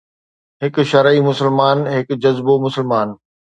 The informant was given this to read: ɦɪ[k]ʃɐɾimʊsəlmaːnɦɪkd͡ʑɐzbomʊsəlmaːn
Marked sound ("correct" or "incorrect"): correct